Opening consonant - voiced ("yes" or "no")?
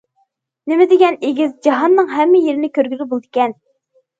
yes